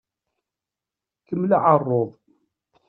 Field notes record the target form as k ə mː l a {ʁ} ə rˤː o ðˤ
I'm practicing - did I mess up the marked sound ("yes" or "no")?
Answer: yes